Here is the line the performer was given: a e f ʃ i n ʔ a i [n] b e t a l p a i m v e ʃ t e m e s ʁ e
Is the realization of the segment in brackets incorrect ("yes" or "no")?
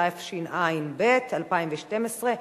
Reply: no